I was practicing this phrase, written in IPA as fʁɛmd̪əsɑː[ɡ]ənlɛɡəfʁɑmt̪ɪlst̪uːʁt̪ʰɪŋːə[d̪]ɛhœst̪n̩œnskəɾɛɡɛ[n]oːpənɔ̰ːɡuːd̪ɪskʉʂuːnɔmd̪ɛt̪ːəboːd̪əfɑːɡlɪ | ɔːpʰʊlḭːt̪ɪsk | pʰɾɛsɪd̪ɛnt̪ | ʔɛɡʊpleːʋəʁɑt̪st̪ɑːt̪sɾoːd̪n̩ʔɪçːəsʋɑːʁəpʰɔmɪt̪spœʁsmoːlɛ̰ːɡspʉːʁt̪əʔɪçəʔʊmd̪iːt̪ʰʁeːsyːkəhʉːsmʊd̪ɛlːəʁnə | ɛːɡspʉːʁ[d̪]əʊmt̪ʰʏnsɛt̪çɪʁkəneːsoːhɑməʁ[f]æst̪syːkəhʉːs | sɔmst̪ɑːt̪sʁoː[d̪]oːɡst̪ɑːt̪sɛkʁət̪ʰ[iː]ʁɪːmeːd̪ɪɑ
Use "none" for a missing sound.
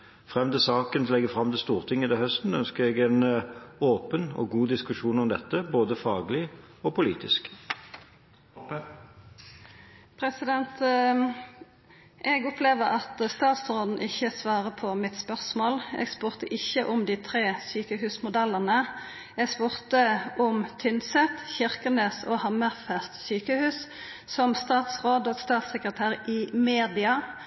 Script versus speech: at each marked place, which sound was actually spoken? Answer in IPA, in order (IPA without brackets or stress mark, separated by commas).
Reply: k, d̪, n, t̪, f, d̪, æː